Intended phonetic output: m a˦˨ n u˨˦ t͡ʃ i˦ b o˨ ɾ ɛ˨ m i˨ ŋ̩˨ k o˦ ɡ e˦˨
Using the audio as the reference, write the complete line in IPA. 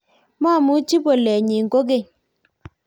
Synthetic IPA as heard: m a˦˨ m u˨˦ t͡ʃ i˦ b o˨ l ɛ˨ ɲ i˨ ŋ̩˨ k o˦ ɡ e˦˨